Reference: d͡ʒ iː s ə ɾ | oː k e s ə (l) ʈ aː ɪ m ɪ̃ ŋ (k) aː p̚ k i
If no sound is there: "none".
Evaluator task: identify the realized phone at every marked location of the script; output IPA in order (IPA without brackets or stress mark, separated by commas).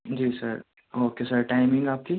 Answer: ɾ, ɡ